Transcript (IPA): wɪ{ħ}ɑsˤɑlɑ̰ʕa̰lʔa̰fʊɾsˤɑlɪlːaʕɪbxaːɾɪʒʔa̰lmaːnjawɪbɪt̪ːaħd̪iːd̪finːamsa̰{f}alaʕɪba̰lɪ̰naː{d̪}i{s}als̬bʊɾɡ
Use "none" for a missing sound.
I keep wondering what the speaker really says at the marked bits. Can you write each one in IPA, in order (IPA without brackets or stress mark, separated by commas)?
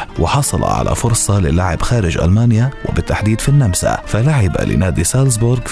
ħ, f, d̪, s